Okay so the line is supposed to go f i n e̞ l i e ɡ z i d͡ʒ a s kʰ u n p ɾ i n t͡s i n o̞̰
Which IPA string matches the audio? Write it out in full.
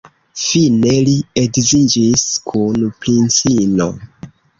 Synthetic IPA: f i n e̞ l i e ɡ z i d͡ʒ i s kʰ u n p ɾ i n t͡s i n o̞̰

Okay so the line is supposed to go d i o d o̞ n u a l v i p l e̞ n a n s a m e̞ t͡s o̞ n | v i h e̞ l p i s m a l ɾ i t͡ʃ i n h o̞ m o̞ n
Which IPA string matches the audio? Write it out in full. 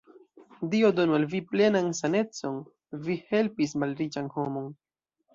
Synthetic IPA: d i o d o̞ n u a l v i p l e̞ n a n s a n e̞ t͡s o̞ n | v i h e̞ l p i s m a l ɾ i t͡ʃ a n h o̞ m o̞ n

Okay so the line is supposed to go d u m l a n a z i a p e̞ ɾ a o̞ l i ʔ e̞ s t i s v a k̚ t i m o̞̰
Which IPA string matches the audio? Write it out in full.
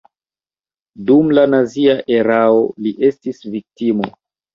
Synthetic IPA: d u m l a n a z i a ʔ e̞ ɾ a o̞ l i ʔ e̞ s t i s v i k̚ t i m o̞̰

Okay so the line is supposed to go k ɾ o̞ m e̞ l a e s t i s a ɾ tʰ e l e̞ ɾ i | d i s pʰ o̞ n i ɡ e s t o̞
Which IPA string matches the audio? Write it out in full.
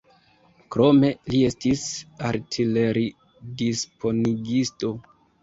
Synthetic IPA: k ɾ o̞ m e̞ l i e s t i s a ɾ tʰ i l e̞ ɾ i | d i s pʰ o̞ n i ɡ i s t o̞

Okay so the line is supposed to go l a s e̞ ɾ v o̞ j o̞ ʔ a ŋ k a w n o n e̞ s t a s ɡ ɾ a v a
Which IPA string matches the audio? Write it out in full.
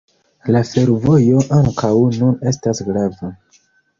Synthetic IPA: l a f e̞ ɾ v o̞ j o̞ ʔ a ŋ k a w n u n e̞ s t a s ɡ ɾ a v a

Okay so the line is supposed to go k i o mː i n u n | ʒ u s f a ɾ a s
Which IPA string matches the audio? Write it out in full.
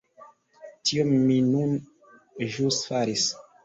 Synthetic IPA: t i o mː i n u n | ʒ u s f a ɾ i s

